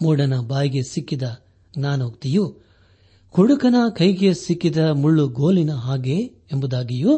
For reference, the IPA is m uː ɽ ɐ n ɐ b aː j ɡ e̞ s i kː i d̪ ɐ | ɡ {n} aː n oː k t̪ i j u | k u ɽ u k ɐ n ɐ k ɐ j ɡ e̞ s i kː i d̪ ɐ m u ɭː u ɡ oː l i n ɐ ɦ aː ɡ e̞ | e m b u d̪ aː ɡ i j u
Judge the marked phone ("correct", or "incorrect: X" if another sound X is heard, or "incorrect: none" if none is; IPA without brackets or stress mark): correct